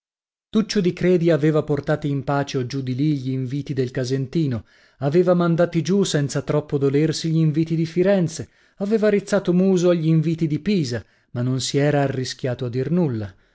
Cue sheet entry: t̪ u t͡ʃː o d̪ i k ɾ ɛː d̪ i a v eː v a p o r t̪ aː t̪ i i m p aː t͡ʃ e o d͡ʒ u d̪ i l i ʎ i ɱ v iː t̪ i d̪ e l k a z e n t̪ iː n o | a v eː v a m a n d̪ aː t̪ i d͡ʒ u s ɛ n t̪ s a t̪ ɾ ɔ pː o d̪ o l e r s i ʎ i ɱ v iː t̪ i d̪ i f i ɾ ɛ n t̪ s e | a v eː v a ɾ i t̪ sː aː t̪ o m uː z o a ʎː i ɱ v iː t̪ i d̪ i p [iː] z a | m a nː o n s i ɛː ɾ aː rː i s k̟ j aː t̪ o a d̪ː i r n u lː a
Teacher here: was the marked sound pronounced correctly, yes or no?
yes